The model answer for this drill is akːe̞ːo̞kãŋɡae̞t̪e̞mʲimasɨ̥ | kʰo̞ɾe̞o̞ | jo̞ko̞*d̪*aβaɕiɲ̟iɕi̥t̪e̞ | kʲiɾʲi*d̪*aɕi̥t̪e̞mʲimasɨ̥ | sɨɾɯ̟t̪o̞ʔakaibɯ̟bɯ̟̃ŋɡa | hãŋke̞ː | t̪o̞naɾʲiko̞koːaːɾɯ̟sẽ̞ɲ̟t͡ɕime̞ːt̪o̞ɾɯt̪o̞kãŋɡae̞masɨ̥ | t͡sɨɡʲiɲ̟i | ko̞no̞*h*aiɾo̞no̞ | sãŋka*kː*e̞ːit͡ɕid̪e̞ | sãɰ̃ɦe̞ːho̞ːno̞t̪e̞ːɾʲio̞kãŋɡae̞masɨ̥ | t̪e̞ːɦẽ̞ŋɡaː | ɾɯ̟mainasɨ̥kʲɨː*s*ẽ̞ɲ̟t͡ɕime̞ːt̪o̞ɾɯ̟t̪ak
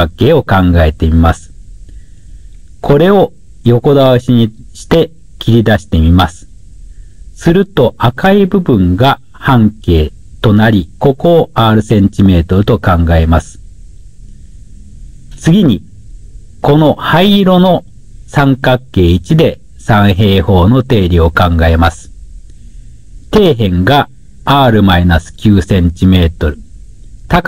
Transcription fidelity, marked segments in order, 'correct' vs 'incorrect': correct, correct, correct, correct, correct

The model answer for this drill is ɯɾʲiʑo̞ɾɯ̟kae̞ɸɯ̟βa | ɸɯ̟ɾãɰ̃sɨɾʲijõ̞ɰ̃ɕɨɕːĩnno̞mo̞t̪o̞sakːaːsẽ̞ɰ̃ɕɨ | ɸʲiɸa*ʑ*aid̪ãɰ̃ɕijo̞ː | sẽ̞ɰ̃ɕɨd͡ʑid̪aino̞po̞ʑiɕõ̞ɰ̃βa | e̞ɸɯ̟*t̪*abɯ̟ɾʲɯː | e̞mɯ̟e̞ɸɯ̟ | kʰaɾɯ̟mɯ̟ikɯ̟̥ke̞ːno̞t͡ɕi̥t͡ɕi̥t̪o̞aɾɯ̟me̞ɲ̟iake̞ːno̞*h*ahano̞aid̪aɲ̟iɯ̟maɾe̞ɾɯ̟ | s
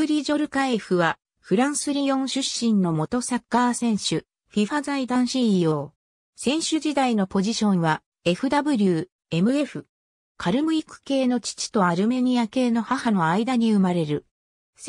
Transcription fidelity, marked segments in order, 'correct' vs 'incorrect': incorrect, incorrect, correct

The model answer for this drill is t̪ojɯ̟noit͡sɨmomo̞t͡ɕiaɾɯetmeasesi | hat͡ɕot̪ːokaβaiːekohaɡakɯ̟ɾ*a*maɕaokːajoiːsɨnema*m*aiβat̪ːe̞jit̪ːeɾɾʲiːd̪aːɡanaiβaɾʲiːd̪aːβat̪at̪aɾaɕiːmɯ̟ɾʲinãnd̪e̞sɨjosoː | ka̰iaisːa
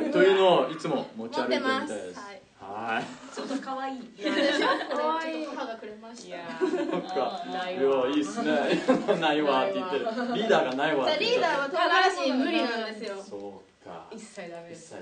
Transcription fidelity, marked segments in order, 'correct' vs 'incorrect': incorrect, incorrect

